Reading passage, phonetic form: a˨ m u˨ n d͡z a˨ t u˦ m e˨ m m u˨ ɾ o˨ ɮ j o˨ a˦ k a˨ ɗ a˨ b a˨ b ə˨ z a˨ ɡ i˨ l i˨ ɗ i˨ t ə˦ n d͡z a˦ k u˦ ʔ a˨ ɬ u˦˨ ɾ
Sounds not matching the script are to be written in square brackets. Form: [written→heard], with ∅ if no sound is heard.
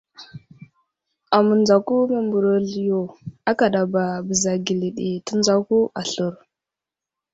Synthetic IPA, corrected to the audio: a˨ m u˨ n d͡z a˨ [t→k] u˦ m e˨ m [m→b] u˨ ɾ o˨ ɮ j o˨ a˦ k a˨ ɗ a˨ b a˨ b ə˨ z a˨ ɡ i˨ l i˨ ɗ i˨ t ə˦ n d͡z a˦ k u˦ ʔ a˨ ɬ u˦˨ ɾ